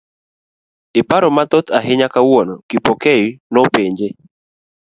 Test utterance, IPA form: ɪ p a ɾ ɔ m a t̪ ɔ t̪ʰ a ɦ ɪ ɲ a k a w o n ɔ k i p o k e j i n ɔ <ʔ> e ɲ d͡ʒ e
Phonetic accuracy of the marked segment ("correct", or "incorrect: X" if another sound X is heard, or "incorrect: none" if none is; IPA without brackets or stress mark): incorrect: p